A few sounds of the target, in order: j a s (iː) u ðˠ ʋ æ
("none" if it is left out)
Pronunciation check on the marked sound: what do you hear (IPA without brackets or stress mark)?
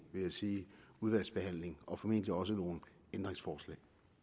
iː